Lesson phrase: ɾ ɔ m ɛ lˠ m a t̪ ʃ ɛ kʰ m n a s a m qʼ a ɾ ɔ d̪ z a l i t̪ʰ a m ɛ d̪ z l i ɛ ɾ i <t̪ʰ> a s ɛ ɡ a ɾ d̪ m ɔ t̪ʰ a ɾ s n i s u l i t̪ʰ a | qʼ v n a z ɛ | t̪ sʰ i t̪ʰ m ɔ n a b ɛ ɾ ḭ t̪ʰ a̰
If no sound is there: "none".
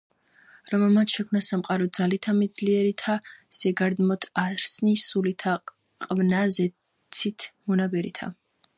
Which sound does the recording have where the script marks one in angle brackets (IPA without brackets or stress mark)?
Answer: t̪ʰ